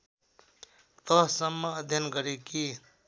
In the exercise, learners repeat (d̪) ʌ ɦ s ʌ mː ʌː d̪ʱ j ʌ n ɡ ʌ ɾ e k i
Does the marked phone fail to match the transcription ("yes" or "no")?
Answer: yes